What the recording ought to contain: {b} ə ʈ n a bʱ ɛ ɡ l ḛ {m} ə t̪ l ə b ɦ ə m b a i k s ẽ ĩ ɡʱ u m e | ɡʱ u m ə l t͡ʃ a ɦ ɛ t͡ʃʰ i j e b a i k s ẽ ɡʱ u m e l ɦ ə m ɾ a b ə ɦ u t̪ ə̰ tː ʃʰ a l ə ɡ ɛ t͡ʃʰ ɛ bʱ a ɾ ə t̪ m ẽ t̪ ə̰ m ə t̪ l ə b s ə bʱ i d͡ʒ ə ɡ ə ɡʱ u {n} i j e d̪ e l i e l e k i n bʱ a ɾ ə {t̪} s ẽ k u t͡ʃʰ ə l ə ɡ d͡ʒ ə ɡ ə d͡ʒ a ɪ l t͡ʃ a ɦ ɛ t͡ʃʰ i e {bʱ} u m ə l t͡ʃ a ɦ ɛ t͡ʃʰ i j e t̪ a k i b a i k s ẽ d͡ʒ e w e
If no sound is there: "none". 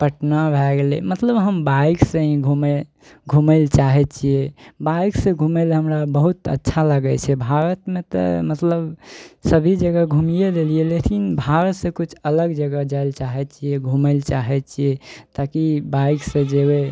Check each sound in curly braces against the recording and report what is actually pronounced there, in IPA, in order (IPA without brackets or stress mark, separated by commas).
p, m, m, t̪, ɡʱ